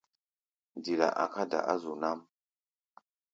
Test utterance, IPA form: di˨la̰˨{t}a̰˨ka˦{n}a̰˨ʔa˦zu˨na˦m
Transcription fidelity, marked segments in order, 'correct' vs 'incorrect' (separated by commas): incorrect, incorrect